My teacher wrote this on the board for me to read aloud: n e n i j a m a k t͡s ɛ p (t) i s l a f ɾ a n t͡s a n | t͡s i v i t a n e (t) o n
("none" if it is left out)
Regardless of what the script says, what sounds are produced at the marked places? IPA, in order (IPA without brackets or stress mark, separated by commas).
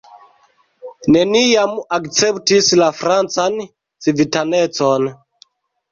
t, t͡s